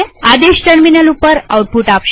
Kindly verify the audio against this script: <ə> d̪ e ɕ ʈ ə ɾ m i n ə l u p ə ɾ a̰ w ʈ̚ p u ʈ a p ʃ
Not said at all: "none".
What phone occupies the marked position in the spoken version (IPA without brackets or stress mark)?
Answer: a